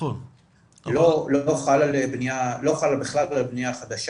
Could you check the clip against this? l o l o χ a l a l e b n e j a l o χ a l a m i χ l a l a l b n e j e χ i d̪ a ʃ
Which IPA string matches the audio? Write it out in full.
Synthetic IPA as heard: l o l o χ a l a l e b n i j a l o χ a l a b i χ l a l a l b n i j a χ a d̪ a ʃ